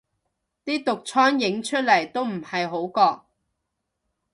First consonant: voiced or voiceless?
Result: voiceless